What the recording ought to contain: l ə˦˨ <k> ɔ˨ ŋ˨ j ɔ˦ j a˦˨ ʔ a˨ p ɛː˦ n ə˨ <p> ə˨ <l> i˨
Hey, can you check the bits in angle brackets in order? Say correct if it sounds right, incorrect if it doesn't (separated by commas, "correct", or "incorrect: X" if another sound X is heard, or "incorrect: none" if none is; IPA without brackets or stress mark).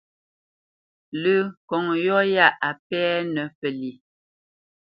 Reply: correct, correct, correct